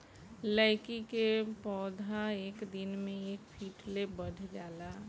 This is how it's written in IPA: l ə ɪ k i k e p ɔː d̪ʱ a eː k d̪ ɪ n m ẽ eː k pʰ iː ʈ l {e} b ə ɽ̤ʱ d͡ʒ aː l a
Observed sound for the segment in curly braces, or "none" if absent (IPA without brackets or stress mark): e